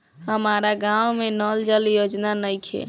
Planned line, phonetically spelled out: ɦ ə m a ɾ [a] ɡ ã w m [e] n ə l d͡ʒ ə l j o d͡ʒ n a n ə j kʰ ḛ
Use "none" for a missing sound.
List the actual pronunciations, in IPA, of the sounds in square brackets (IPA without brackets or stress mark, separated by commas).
a, e